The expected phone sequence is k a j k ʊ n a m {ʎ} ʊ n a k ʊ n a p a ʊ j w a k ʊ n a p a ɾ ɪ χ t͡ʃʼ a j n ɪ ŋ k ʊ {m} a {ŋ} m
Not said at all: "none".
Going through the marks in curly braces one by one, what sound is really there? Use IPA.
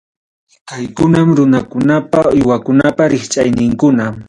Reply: ɾ, n, none

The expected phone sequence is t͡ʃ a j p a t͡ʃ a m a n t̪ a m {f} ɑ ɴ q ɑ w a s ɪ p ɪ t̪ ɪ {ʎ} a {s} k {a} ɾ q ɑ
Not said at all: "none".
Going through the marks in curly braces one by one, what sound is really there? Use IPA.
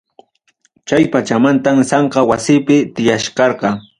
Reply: s, j, ʃ, ɑ

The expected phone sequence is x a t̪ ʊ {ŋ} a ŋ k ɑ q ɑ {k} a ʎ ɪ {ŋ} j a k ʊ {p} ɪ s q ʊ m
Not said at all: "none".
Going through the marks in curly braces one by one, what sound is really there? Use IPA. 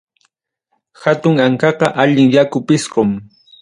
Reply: ŋ, ʔ, ŋ, p

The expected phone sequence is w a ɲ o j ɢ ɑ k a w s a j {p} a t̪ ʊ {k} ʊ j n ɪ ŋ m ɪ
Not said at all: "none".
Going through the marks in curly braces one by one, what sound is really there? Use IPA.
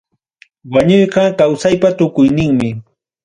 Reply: p, k

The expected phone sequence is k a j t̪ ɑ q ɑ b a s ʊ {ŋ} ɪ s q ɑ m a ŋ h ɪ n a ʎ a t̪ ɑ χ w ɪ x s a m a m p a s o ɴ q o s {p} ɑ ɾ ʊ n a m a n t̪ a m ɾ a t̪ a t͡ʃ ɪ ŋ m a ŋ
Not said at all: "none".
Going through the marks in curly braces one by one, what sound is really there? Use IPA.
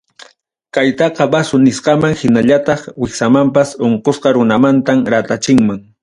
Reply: n, q

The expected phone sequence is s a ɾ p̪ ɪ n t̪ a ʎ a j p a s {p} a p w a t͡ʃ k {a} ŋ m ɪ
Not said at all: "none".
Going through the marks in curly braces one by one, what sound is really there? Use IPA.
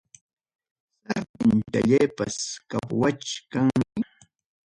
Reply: k, a

